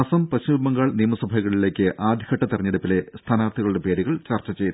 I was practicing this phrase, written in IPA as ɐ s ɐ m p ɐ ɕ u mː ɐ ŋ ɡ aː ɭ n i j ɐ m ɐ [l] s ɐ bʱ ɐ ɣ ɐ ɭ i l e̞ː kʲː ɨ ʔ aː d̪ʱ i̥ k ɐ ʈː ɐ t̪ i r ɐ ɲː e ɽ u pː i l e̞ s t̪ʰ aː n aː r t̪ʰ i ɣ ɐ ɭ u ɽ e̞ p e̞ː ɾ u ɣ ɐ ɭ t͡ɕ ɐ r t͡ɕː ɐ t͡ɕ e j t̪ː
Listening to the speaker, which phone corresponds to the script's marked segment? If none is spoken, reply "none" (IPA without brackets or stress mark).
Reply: none